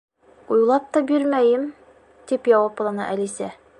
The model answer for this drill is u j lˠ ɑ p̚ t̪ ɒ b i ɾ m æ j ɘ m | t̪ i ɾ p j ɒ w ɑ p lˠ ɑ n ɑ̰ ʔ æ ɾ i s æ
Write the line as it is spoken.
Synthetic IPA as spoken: u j lˠ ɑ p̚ t̪ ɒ b i ɾ m æ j ɘ m | t̪ i p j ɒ w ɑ p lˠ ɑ n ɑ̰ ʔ æ l i s æ